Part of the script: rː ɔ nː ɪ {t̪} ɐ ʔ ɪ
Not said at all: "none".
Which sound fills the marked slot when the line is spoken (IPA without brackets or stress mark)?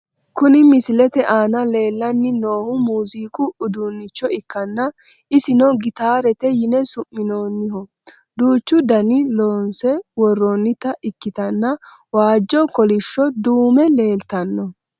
t̪